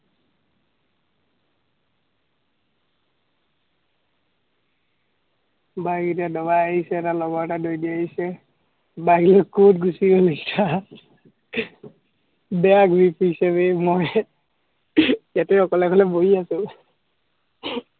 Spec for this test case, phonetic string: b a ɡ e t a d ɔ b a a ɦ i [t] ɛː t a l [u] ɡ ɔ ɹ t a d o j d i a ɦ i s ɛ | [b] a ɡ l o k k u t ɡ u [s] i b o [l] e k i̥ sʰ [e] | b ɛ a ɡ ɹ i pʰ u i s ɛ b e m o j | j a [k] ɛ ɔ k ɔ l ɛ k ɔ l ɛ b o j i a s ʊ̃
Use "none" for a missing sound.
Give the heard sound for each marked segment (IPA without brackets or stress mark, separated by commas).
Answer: s, ɔ, b, s, l, a, t